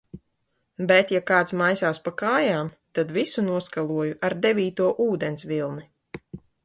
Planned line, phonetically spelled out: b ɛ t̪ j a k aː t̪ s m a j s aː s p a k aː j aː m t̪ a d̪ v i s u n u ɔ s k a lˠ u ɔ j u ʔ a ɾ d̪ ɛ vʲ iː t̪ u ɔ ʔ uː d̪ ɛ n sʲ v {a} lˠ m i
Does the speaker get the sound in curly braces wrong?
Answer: yes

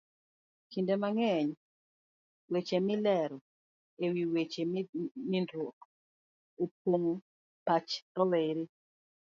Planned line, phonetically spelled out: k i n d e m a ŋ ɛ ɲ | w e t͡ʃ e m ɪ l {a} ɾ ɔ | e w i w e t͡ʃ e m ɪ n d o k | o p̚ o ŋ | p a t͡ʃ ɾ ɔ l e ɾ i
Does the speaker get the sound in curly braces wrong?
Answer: yes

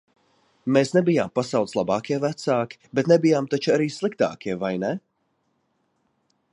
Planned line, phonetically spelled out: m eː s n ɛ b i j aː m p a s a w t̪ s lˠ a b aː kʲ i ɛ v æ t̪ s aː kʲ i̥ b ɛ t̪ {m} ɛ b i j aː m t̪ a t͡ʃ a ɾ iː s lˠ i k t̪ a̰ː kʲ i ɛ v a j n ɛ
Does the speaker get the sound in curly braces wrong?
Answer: yes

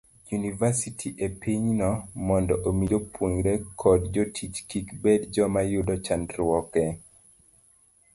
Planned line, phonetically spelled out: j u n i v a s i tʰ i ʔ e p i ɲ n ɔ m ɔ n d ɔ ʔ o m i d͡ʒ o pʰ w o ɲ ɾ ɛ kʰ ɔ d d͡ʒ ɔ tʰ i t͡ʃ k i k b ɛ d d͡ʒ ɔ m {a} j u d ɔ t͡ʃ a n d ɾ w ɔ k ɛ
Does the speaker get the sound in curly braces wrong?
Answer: no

